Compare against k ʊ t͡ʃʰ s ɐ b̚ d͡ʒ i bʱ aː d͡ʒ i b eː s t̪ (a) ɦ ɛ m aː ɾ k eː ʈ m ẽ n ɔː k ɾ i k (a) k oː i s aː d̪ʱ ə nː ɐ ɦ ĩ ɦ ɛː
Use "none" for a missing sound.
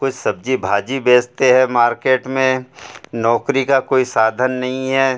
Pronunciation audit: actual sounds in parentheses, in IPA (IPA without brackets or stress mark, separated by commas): e, a